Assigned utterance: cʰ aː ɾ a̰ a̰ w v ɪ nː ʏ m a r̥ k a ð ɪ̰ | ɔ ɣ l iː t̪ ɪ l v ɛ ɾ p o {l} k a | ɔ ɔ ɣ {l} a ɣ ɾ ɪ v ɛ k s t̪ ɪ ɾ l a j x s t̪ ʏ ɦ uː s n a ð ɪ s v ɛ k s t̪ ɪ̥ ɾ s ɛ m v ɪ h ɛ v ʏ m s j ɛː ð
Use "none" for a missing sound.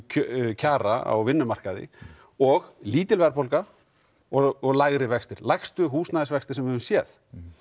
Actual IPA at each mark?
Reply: l, l

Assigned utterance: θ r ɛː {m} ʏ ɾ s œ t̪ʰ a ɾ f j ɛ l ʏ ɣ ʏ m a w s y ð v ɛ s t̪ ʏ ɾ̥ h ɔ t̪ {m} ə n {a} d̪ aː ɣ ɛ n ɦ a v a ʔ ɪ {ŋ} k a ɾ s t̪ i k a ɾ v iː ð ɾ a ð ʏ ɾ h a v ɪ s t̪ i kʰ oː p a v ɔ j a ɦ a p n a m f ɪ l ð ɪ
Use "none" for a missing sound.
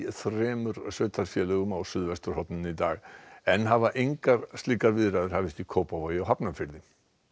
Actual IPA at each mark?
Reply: m, n, i, ŋ

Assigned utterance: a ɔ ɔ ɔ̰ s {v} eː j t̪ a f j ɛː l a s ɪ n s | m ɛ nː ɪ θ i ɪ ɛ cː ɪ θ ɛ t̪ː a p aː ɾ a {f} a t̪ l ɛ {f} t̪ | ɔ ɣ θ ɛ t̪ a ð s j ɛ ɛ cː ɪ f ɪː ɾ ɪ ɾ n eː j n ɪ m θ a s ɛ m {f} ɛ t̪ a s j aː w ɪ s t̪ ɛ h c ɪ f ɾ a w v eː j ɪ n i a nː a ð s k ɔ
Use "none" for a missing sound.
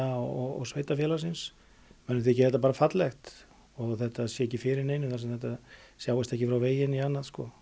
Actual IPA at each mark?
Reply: v, f, x, θ

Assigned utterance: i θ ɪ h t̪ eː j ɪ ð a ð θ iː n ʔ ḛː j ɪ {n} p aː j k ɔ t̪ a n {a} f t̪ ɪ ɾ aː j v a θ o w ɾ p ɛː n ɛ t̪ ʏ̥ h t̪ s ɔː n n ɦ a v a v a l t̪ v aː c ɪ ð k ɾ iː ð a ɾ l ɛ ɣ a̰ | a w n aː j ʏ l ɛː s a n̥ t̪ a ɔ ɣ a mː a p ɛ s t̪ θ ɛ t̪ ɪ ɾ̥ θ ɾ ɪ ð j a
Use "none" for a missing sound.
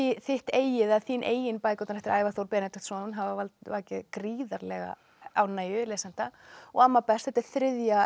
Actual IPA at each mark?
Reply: n, ɛ

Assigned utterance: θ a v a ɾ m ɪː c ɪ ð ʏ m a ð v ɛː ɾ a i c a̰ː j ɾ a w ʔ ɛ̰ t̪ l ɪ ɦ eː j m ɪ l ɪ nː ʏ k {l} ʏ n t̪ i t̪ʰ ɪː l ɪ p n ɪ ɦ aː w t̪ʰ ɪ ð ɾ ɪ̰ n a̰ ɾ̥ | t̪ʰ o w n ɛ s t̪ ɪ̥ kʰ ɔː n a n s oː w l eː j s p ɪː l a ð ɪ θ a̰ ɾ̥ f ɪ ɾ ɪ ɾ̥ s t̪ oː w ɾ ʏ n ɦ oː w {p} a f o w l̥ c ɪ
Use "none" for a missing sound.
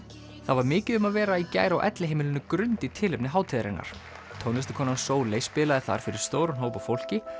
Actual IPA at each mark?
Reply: ɾ, p

